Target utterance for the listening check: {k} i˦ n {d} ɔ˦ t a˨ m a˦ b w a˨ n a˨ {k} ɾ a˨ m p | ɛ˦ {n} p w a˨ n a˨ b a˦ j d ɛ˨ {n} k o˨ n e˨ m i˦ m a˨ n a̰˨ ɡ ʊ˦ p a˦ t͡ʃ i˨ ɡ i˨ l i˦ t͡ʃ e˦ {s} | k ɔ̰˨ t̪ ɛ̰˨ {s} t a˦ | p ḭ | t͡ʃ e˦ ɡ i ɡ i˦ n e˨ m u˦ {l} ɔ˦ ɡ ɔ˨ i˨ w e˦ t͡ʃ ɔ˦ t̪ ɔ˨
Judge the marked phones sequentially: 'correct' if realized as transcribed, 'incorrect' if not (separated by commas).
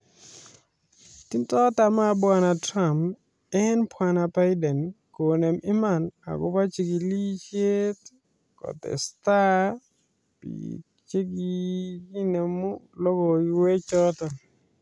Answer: incorrect, incorrect, incorrect, correct, correct, incorrect, correct, correct